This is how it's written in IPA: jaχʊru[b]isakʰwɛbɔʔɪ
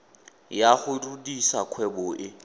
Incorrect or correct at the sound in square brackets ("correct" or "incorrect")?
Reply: incorrect